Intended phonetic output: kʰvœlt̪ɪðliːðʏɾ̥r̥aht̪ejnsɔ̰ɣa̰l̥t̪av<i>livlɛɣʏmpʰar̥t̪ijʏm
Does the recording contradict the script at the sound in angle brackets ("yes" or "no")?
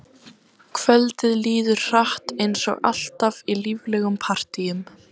no